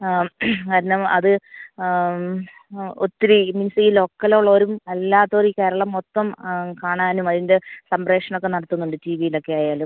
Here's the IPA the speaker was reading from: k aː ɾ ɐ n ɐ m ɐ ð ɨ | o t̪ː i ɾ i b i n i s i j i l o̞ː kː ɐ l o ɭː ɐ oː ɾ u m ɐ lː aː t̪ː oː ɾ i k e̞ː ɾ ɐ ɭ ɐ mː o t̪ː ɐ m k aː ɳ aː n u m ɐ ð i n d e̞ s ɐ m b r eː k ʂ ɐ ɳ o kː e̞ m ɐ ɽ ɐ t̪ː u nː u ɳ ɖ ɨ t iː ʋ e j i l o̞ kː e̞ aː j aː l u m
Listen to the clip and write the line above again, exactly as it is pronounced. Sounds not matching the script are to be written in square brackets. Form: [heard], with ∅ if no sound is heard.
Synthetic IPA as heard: k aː ɾ ɐ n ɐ m ɐ ð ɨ | o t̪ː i ɾ i [m] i n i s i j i l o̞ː kː ɐ l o ɭː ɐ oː ɾ u m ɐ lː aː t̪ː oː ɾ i k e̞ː ɾ ɐ ɭ ɐ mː o t̪ː ɐ m k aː ɳ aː n u m ɐ ð i n d e̞ s ɐ m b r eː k ʂ ɐ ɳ o kː e̞ [n] ɐ ɽ ɐ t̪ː u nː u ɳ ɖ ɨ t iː ʋ [i] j i l o̞ kː e̞ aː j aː l u m